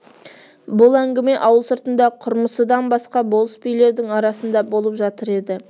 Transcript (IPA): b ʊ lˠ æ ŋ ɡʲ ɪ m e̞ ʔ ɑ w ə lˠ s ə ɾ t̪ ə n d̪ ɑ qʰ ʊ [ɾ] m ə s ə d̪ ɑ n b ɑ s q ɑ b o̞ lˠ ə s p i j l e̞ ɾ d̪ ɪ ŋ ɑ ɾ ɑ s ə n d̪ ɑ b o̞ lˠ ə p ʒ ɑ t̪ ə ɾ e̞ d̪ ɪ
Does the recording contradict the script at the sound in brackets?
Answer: no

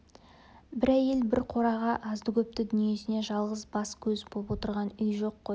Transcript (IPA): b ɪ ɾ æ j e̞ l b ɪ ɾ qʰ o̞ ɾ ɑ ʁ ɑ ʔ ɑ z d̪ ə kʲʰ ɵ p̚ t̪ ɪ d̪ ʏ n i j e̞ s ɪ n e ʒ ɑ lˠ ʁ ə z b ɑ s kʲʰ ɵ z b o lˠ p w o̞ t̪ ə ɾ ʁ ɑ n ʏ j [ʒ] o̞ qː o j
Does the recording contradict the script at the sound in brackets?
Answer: no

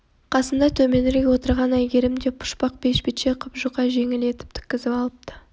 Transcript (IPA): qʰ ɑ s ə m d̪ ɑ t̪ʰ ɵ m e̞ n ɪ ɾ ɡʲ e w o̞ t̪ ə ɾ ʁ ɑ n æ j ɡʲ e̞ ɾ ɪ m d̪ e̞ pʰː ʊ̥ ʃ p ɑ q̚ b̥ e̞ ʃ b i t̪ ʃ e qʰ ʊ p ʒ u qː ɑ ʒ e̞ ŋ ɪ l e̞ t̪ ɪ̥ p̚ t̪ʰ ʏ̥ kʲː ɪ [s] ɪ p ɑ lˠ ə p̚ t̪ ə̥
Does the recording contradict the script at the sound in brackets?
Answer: yes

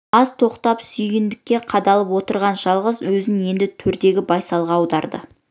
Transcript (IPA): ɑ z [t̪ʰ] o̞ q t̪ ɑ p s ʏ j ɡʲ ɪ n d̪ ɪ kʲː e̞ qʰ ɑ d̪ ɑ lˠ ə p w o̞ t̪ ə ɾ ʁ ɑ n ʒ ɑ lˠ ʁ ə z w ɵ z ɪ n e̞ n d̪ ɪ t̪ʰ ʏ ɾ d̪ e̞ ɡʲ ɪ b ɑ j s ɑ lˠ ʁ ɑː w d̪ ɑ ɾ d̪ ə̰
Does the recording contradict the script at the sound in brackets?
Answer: no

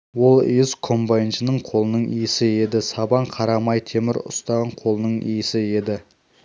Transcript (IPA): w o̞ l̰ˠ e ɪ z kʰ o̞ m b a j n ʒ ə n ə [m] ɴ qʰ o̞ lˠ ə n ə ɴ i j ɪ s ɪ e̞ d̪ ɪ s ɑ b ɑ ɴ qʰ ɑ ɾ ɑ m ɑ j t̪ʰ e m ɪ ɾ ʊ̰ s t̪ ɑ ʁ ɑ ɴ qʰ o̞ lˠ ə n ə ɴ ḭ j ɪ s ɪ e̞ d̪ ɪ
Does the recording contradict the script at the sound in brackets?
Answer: yes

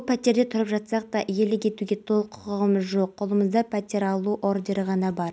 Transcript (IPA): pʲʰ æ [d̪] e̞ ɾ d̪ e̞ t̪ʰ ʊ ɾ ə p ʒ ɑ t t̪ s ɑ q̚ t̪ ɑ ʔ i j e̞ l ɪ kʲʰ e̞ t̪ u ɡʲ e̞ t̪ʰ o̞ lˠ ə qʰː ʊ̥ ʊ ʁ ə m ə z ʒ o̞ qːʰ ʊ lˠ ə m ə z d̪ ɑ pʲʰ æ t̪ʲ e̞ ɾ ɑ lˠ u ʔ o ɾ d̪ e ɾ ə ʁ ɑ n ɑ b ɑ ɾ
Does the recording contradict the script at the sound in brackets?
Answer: yes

